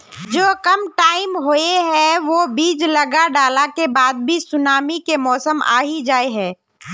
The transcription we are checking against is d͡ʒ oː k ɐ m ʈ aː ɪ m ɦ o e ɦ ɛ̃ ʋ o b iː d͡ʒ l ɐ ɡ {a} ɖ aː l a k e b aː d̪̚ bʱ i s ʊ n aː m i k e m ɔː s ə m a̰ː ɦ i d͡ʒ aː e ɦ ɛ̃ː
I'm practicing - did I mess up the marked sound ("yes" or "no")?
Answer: no